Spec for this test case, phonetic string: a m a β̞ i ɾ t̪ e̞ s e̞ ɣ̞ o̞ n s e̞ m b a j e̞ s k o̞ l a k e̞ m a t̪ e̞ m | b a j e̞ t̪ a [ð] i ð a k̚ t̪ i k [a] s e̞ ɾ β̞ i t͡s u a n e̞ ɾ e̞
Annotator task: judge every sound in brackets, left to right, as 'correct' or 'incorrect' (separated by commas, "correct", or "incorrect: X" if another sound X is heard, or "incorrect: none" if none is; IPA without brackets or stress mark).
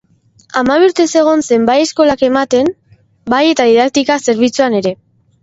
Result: correct, correct